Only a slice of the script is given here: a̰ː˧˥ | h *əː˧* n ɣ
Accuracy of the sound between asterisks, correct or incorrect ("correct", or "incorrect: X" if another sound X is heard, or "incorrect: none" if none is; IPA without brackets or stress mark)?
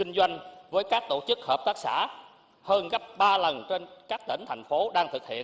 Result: correct